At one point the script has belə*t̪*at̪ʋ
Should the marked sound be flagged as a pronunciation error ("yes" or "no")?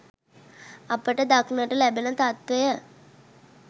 no